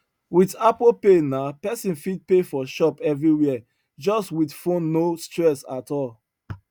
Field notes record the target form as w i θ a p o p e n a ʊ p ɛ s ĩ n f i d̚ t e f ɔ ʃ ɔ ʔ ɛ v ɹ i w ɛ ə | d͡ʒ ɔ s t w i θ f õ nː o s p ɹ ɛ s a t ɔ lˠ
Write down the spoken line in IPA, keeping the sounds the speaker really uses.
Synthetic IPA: w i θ a p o p e n a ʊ p ɛ s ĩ n f i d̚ p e f ɔ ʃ ɔ p ɛ v ɹ i w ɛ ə | d͡ʒ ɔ s t w i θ f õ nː o s t ɹ ɛ s a t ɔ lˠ